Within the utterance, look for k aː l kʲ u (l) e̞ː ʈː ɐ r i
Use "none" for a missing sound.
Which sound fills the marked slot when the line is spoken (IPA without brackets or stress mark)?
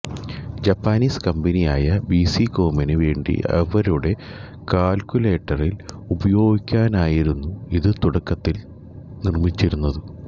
l